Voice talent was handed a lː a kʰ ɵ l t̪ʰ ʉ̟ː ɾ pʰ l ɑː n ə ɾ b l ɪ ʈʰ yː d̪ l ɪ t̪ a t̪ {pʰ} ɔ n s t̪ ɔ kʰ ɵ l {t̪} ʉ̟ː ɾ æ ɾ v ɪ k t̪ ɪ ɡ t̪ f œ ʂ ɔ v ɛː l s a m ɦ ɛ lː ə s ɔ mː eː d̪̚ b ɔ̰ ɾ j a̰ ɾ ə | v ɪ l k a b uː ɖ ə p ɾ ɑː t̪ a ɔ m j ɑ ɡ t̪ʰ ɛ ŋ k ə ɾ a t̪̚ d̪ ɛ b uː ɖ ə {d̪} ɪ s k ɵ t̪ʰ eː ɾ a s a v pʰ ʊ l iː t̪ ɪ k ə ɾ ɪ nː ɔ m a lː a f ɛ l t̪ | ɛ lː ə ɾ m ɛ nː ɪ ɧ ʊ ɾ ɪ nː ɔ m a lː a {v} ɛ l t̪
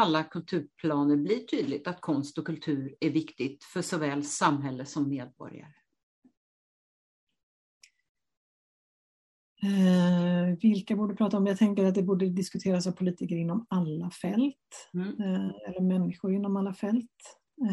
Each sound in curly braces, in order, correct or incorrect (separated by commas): incorrect, incorrect, correct, incorrect